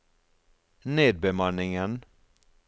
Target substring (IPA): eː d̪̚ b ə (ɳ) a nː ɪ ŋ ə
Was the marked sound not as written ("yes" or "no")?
yes